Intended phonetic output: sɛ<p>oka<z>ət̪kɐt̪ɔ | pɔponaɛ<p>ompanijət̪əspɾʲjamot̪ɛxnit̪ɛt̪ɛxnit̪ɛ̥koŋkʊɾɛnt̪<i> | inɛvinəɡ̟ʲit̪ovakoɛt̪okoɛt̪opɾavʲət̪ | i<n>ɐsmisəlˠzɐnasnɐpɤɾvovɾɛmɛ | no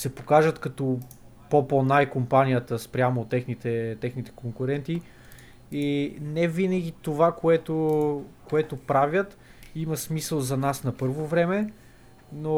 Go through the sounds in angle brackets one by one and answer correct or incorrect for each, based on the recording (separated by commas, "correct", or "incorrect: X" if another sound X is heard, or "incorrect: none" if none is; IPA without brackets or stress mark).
correct, incorrect: ʒ, incorrect: k, correct, incorrect: m